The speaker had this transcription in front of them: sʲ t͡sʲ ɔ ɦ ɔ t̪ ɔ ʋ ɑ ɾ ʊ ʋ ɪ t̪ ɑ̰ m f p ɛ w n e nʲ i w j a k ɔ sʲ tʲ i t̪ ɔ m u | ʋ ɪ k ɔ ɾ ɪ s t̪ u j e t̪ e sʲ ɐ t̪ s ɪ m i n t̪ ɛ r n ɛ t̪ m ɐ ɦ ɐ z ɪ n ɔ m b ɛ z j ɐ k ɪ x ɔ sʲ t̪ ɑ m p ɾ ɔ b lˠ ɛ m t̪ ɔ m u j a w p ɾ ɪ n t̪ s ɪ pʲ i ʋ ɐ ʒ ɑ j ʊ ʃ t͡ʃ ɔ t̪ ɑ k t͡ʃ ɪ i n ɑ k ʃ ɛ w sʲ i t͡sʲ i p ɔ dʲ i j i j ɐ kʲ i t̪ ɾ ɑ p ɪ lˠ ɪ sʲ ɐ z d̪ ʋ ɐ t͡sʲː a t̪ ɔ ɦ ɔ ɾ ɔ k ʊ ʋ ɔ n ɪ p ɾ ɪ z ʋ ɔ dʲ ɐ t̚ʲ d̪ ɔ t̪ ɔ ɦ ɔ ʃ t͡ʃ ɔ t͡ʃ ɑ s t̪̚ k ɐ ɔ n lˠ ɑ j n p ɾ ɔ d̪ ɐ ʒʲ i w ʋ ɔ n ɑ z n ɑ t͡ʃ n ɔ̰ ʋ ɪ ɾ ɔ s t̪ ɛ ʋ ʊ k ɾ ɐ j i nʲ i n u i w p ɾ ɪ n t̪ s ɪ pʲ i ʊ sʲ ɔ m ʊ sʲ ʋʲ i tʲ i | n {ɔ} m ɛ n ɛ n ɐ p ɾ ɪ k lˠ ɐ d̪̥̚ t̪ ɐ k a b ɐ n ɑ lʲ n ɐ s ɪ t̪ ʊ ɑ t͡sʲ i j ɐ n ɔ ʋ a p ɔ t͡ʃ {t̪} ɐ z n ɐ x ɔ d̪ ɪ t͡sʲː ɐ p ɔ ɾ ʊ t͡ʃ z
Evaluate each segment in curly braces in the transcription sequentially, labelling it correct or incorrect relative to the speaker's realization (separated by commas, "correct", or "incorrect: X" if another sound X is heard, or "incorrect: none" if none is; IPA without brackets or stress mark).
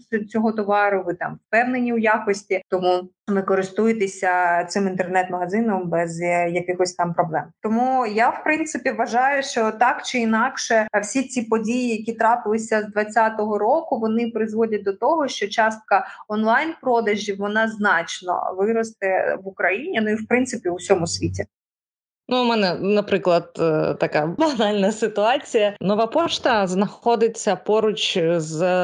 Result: incorrect: u, correct